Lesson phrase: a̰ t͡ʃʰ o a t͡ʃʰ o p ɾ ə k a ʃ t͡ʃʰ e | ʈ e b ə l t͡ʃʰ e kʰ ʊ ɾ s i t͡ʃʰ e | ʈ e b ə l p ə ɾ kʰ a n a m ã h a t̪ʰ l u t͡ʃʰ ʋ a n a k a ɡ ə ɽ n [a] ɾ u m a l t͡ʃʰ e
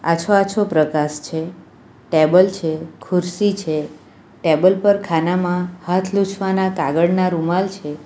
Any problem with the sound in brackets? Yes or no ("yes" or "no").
no